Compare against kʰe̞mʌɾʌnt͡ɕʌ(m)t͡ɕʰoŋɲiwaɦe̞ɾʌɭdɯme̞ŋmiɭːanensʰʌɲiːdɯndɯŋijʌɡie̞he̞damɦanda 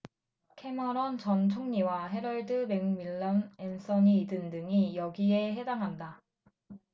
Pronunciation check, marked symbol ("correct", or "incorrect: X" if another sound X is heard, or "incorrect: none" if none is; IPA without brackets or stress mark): incorrect: n